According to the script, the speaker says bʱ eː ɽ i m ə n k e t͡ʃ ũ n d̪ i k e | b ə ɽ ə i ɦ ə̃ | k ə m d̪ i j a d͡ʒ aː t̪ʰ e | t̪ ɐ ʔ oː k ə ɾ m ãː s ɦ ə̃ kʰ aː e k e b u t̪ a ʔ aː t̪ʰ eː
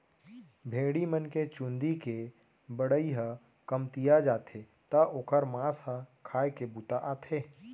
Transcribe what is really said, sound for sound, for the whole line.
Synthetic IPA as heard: bʱ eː ɽ i m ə n k e t͡ʃ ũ n d̪ i k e | b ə ɽ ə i ɦ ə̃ | k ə m t̪ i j a d͡ʒ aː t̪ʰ e | t̪ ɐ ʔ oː k ə ɾ m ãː s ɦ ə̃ kʰ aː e k e b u t̪ a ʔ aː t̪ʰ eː